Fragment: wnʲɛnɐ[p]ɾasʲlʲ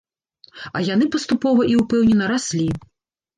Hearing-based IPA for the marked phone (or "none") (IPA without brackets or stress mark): none